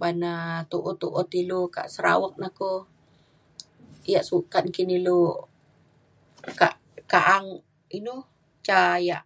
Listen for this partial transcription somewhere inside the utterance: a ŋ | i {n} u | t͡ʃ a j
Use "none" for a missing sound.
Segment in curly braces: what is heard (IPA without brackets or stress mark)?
n